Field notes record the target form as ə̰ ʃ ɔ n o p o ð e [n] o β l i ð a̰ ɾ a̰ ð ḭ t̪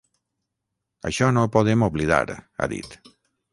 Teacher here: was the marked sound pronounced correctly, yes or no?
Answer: no